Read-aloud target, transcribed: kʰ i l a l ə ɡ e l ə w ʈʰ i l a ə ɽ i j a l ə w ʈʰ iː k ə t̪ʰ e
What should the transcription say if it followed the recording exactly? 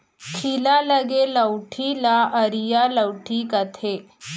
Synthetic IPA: kʰ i l a l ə ɡ e l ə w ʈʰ i l a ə ɾ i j a l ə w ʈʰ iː k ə t̪ʰ e